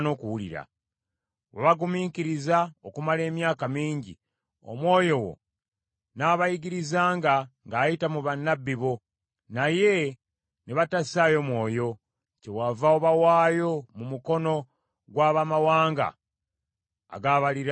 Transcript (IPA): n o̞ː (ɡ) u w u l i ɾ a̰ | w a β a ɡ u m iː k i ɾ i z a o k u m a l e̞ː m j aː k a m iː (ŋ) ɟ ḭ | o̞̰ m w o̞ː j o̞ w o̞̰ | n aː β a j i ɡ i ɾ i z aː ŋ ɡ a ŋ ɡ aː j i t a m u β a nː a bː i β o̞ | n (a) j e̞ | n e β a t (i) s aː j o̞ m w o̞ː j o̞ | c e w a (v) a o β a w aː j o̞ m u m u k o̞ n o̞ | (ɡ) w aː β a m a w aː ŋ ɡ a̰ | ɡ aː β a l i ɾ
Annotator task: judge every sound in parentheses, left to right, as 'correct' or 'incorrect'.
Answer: incorrect, incorrect, correct, incorrect, correct, correct

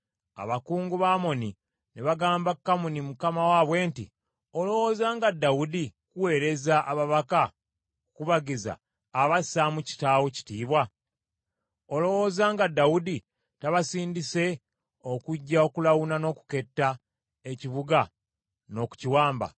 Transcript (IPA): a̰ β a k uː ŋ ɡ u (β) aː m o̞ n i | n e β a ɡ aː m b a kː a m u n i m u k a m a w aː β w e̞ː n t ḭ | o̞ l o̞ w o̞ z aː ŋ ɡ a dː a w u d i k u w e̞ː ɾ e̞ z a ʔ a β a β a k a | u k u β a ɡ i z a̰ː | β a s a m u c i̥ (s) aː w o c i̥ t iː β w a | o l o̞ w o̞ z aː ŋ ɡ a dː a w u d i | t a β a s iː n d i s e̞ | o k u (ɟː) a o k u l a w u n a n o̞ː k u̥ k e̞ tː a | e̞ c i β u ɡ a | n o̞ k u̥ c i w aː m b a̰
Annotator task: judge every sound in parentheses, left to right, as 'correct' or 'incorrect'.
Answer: correct, incorrect, correct

